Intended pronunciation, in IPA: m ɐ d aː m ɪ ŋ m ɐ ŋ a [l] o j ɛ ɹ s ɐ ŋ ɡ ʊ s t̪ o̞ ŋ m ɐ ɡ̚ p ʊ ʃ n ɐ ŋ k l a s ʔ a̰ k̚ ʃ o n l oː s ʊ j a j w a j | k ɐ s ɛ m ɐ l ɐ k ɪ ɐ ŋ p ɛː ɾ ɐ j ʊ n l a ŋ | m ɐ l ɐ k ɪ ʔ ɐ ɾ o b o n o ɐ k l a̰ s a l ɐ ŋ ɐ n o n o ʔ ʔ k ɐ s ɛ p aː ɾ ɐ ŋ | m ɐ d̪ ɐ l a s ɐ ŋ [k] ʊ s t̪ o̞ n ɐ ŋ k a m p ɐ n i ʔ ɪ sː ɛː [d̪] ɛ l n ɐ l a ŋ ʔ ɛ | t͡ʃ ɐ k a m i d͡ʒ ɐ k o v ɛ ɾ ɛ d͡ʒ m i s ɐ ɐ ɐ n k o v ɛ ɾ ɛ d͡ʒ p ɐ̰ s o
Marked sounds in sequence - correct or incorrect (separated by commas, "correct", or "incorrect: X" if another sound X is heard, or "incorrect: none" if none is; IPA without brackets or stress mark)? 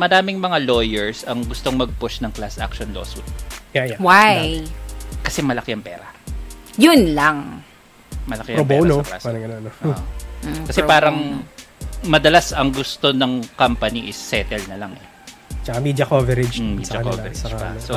correct, incorrect: ɡ, incorrect: t̪